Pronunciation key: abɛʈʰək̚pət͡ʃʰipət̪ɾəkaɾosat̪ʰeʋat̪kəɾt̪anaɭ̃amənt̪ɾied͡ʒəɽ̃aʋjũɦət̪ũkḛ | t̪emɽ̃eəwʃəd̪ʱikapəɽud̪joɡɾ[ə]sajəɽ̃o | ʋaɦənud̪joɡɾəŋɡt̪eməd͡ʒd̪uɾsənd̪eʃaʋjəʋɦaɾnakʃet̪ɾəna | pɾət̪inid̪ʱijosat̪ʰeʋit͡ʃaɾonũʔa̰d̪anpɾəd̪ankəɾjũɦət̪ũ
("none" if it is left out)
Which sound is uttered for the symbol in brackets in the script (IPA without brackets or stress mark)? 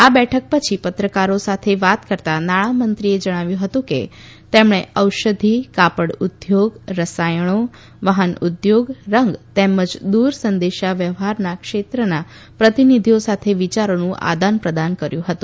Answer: ə